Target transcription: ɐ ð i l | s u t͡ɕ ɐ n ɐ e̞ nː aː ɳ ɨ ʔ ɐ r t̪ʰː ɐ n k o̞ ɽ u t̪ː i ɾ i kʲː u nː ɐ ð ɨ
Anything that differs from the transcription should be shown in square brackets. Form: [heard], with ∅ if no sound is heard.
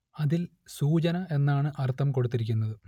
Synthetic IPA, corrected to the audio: ɐ ð i l | s [uː] t͡ɕ ɐ n ɐ e̞ nː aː ɳ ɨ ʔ ɐ r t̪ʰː ɐ [m] k o̞ ɽ u t̪ː i ɾ i kʲː u nː ɐ ð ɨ